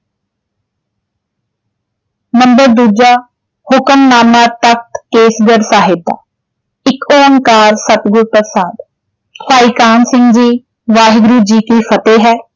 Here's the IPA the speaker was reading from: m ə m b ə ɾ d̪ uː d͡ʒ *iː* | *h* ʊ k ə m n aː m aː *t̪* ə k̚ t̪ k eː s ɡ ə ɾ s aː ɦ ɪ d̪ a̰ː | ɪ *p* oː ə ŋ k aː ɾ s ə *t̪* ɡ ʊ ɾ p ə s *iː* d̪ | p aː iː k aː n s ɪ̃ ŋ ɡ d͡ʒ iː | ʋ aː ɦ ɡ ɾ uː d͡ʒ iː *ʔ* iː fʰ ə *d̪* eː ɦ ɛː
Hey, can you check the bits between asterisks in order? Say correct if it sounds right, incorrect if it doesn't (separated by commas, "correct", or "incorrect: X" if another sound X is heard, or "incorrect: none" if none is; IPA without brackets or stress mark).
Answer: incorrect: aː, correct, correct, incorrect: k, correct, incorrect: aː, incorrect: k, incorrect: t̪